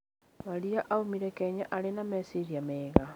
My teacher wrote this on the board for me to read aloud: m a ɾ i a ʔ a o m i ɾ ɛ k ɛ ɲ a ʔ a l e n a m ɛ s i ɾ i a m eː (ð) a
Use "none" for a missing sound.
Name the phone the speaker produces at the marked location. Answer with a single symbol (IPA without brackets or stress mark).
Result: ɣ